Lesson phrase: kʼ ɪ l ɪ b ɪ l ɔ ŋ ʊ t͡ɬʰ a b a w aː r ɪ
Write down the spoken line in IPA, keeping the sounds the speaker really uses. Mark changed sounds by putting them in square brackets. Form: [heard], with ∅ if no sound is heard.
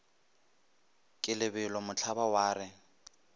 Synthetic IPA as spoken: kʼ ɪ l ɪ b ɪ l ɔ [m] ʊ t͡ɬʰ a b a w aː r ɪ